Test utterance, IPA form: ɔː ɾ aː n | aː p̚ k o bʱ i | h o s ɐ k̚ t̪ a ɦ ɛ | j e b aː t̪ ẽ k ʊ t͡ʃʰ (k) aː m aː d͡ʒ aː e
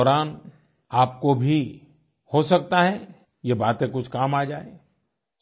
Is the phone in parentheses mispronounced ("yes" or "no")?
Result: no